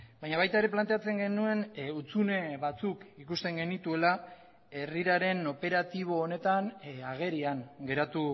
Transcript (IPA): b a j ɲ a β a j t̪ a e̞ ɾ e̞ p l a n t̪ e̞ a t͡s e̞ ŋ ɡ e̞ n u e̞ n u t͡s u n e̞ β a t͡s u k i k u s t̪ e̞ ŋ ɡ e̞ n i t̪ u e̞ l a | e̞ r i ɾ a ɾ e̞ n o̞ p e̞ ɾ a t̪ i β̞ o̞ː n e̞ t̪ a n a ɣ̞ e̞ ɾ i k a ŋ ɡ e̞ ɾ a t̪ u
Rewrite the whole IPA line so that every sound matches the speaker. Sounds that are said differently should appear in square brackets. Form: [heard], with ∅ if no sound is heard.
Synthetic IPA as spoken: b a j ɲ a β a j t̪ a e̞ ɾ e̞ p l a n t̪ e̞ a t͡s e̞ ŋ ɡ e̞ n u e̞ n u t͡s u n e̞ β a t͡s u k i k u s t̪ e̞ ŋ ɡ e̞ n i t̪ u e̞ l a | e̞ r i ɾ a ɾ e̞ n o̞ p e̞ ɾ a t̪ i β̞ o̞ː n e̞ t̪ a n a ɣ̞ e̞ ɾ i [∅] a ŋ ɡ e̞ ɾ a t̪ u

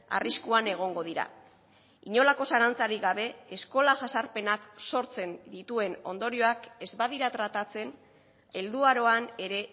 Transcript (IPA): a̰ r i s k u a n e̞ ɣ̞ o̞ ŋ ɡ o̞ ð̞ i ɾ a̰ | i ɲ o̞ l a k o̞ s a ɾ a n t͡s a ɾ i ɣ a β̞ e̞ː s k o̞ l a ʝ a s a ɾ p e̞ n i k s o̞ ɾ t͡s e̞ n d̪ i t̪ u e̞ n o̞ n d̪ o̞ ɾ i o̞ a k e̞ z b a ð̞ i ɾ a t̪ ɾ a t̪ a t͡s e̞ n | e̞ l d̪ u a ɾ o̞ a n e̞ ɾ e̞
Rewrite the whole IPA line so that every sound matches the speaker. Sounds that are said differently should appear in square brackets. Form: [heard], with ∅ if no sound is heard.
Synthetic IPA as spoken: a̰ r i s k u a n e̞ ɣ̞ o̞ ŋ ɡ o̞ ð̞ i ɾ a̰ | i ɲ o̞ l a k o̞ s a ɾ a n t͡s a ɾ i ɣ a β̞ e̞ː s k o̞ l a ʝ a s a ɾ p e̞ n [a] k s o̞ ɾ t͡s e̞ n d̪ i t̪ u e̞ n o̞ n d̪ o̞ ɾ i o̞ a k e̞ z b a ð̞ i ɾ a t̪ ɾ a t̪ a t͡s e̞ n | e̞ l d̪ u a ɾ o̞ a n e̞ ɾ e̞

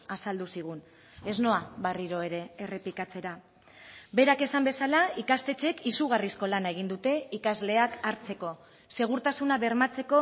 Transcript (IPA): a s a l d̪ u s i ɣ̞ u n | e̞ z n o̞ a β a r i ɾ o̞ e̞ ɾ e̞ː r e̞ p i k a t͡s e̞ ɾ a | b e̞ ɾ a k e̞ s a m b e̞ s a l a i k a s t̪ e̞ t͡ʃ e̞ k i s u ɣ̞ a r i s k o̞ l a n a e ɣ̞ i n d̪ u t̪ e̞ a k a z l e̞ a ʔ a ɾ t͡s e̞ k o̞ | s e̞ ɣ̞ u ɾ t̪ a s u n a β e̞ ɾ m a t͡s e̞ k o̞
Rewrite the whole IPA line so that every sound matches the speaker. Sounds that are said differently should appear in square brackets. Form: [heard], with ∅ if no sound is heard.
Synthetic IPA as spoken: a s a l d̪ u s i ɣ̞ u n | e̞ z n o̞ a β a r i ɾ o̞ e̞ ɾ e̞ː r e̞ p i k a t͡s e̞ ɾ a | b e̞ ɾ a k e̞ s a m b e̞ s a l a i k a s t̪ e̞ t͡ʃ e̞ k i s u ɣ̞ a r i s k o̞ l a n a e ɣ̞ i n d̪ u t̪ e̞ [i] k a z l e̞ a [k] a ɾ t͡s e̞ k o̞ | s e̞ ɣ̞ u ɾ t̪ a s u n a β e̞ ɾ m a t͡s e̞ k o̞

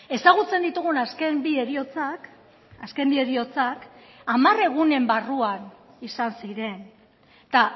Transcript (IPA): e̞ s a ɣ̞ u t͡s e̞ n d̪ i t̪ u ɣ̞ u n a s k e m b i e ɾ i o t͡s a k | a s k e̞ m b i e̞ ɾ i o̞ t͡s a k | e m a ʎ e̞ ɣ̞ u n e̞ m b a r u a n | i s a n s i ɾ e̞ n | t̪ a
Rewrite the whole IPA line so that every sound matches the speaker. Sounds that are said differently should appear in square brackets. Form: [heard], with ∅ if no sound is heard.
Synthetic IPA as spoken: e̞ s a ɣ̞ u t͡s e̞ n d̪ i t̪ u ɣ̞ u n a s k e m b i e ɾ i o t͡s a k | a s k e̞ m b i e̞ ɾ i o̞ t͡s a k | [a] m a [r] e̞ ɣ̞ u n e̞ m b a r u a n | i s a n s i ɾ e̞ n | t̪ a

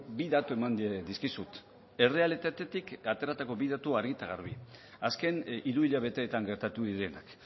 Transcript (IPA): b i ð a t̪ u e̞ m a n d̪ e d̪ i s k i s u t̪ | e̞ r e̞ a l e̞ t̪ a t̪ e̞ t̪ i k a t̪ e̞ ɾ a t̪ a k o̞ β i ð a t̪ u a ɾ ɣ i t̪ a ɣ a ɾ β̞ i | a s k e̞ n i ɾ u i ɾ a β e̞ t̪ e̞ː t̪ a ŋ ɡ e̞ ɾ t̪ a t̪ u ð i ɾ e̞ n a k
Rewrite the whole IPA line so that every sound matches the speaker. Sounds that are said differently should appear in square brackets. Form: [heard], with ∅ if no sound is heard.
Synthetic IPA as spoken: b i ð a t̪ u e̞ m a n d̪ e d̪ i s k i s u t̪ | e̞ r e̞ a l e̞ t̪ a t̪ e̞ t̪ i k a t̪ e̞ ɾ a t̪ a k o̞ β i ð a t̪ u a ɾ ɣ i t̪ a ɣ a ɾ β̞ i | a s k e̞ n i ɾ u i [ʎ] a β e̞ t̪ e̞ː t̪ a ŋ ɡ e̞ ɾ t̪ a t̪ u ð i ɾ e̞ n a k

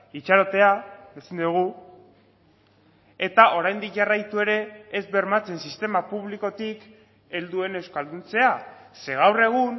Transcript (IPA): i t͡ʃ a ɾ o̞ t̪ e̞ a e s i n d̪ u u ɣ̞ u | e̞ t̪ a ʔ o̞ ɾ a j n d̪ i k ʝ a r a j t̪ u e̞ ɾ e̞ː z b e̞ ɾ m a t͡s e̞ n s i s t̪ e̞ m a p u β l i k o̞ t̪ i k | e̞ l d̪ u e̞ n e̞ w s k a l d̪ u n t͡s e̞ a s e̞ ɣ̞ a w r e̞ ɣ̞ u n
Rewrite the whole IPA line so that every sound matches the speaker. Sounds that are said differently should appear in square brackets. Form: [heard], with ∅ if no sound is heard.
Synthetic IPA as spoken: i t͡ʃ a ɾ o̞ t̪ e̞ a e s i n d̪ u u ɣ̞ u | e̞ t̪ a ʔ o̞ ɾ a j n d̪ i k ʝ a r a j t̪ u e̞ ɾ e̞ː z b e̞ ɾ m a t͡s e̞ n s i s t̪ e̞ m a p u β l i k o̞ t̪ i k | e̞ l d̪ u e̞ n e̞ w s k a l d̪ u n t͡s e̞ a s e̞ ɣ̞ a w r e̞ ɣ̞ u n

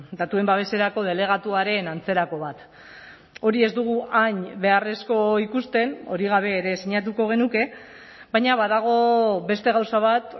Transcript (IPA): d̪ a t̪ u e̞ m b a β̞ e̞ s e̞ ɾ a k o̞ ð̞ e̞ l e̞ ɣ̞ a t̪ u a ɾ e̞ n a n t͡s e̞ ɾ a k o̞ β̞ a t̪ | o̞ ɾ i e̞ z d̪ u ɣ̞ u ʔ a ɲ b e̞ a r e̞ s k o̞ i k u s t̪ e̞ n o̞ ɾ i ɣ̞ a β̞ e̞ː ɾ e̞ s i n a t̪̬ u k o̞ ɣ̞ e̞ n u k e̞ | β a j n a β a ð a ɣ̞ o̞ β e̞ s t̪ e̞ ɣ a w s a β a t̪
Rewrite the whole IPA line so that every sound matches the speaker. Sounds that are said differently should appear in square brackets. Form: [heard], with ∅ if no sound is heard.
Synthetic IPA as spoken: d̪ a t̪ u e̞ m b a β̞ e̞ s e̞ ɾ a k o̞ ð̞ e̞ l e̞ ɣ̞ a t̪ u a ɾ e̞ n a n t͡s e̞ ɾ a k o̞ β̞ a t̪ | o̞ ɾ i e̞ z d̪ u ɣ̞ u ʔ a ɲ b e̞ a r e̞ s k o̞ i k u s t̪ e̞ n o̞ ɾ i ɣ̞ a β̞ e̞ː ɾ e̞ s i [ɲ] a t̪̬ u k o̞ ɣ̞ e̞ n u k e̞ | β a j [ɲ] a β a ð a ɣ̞ o̞ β e̞ s t̪ e̞ ɣ a w s a β a t̪

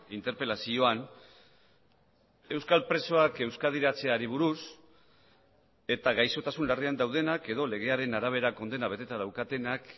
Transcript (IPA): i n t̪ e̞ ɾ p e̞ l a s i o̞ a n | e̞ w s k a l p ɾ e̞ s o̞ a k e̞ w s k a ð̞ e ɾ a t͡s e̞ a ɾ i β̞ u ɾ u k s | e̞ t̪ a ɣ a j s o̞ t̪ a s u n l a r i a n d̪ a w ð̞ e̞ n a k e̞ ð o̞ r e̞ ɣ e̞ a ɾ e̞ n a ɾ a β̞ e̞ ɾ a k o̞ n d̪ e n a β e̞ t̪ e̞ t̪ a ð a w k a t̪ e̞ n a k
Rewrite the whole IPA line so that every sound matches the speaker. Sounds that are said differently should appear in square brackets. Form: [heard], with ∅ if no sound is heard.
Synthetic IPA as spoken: i n t̪ e̞ ɾ p e̞ l a s i o̞ a n | e̞ w s k a l p ɾ e̞ s o̞ a k e̞ w s k a ð̞ [i] ɾ a t͡s e̞ a ɾ i β̞ u ɾ u [∅] s | e̞ t̪ a ɣ a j s o̞ t̪ a s u n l a r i a n d̪ a w ð̞ e̞ n a k e̞ ð o̞ [l] e̞ ɣ e̞ a ɾ e̞ n a ɾ a β̞ e̞ ɾ a k o̞ n d̪ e n a β e̞ t̪ e̞ t̪ a ð a w k a t̪ e̞ n a k

